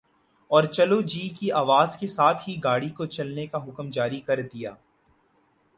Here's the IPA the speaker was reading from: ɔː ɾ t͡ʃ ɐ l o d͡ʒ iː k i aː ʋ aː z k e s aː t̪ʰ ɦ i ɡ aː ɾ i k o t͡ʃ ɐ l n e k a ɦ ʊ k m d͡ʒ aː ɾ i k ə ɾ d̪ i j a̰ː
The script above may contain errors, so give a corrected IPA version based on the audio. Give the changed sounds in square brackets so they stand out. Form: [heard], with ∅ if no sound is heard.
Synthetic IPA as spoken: ɔː ɾ t͡ʃ ɐ l o d͡ʒ iː k i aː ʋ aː z k e s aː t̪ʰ ɦ i ɡ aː [ɽ] i k o t͡ʃ ɐ l n e k a ɦ ʊ k m d͡ʒ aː ɾ i k [ɐ] ɾ d̪ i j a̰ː